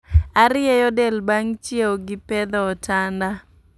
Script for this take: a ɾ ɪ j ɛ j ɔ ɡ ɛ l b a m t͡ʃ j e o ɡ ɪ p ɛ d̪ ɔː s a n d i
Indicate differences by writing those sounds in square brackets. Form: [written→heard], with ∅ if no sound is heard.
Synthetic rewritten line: a ɾ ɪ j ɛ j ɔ [ɡ→d] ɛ l b a [m→ŋ] t͡ʃ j e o ɡ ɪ p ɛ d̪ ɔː [s→t] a n d [i→a]

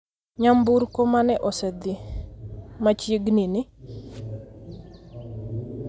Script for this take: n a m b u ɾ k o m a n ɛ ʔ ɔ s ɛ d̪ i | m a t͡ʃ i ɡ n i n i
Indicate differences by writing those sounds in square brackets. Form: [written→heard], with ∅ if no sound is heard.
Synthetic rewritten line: [n→ɲ] a m b u ɾ k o m a n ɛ ʔ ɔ s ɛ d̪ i | m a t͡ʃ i ɡ n i n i

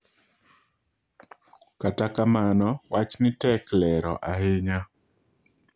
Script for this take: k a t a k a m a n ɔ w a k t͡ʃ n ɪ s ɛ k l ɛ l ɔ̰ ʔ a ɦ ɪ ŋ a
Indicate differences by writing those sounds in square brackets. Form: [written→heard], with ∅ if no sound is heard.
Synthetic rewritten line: k a t a k a m a n ɔ w a [k→∅] t͡ʃ n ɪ [s→t] ɛ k l ɛ [l→ɾ] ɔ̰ ʔ a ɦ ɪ [ŋ→ɲ] a

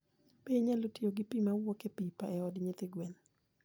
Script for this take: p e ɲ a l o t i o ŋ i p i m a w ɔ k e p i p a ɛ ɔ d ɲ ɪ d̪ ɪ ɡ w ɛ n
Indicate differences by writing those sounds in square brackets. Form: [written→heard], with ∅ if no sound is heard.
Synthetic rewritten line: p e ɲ a l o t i o [ŋ→ɡ] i p i m a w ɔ k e p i p a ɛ ɔ d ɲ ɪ [d̪→t̪] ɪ ɡ w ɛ n

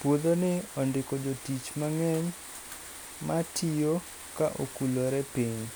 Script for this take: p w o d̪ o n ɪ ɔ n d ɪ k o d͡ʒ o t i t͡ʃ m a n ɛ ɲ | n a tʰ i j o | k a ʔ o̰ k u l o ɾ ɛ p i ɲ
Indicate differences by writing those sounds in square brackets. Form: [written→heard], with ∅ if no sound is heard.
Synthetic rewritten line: p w o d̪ o n ɪ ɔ n d ɪ k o d͡ʒ o t i t͡ʃ m a [n→ŋ] ɛ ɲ | [n→m] a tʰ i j o | k a ʔ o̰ k u l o ɾ ɛ p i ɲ

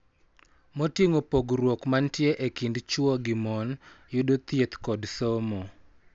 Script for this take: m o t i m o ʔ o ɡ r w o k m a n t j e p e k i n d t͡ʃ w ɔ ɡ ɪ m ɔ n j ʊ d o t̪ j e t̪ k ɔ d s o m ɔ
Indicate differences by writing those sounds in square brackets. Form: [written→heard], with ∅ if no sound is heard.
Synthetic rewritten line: m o t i [m→ŋ] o [ʔ→p] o ɡ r w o k m a n t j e [p→ʔ] e k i n d t͡ʃ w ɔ ɡ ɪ m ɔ n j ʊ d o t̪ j e t̪ k ɔ d s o m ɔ

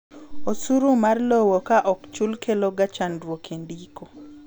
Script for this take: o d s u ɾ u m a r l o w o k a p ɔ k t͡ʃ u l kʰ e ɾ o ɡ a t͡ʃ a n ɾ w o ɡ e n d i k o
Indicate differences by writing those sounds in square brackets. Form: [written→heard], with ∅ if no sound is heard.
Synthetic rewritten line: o [d→∅] s u ɾ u m a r l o w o k a [p→ʔ] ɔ k t͡ʃ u l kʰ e [ɾ→l] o ɡ a t͡ʃ a n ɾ w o [ɡ→k] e n d i k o

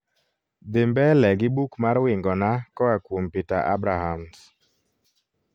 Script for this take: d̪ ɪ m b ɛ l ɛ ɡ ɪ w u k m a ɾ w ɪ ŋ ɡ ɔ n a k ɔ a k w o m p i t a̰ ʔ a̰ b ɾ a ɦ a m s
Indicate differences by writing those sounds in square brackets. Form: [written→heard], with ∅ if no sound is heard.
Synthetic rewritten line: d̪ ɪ m b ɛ l ɛ ɡ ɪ [w→b] u k m a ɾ w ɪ ŋ ɡ ɔ n a k ɔ a k w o m p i t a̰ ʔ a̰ b ɾ a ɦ a m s

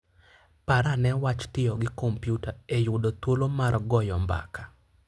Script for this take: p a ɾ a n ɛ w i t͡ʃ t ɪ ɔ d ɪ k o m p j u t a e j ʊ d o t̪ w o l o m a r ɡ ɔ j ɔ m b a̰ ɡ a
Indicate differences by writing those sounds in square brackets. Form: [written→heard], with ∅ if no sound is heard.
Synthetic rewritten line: p a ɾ a n ɛ w [i→a] t͡ʃ t ɪ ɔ [d→ɡ] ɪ k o m p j u t a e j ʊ d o t̪ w o l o m a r ɡ ɔ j ɔ m b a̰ [ɡ→k] a

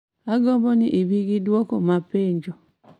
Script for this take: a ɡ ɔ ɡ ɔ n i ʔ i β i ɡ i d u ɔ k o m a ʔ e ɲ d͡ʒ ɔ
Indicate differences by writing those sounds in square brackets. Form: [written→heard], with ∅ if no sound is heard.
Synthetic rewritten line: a ɡ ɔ [ɡ→b] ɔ n i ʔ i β i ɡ i d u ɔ k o m a [ʔ→p] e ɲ d͡ʒ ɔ

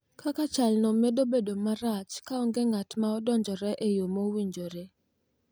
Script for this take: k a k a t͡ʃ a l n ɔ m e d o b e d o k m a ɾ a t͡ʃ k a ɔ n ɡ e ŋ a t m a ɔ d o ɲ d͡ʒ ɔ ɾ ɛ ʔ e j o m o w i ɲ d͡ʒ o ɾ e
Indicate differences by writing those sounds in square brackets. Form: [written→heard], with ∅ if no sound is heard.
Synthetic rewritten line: k a k a t͡ʃ a l n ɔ m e d o b e d o [k→∅] m a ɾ a t͡ʃ k a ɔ [n→ŋ] ɡ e ŋ a t m a ɔ d [o→ɔ] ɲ d͡ʒ ɔ ɾ ɛ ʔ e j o m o w i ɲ d͡ʒ o ɾ e

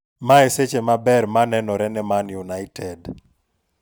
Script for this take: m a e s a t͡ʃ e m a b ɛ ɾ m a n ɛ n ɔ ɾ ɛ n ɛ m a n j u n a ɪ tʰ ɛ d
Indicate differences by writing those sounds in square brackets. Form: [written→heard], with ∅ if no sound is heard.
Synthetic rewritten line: m a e s [a→e] t͡ʃ e m a b ɛ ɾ m a n ɛ n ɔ ɾ ɛ n ɛ m a n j u n a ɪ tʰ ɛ d

